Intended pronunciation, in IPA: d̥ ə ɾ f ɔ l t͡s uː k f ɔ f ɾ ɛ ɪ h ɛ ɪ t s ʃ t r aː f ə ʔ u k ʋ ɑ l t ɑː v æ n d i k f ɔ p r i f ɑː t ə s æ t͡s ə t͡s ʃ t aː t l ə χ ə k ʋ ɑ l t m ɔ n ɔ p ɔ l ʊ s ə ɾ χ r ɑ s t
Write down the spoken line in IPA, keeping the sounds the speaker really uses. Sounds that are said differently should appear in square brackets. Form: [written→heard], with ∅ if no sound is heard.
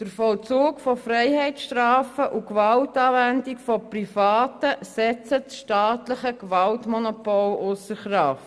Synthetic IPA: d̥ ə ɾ f ɔ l t͡s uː k f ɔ f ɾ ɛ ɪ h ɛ ɪ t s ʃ t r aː f ə ʔ u k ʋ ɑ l t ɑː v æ n d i k f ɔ p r i f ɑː t ə s [æ→ɛ] t͡s ə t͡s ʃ t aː t l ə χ ə k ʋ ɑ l t m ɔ n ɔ p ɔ l ʊ s ə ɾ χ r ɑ [s→f] t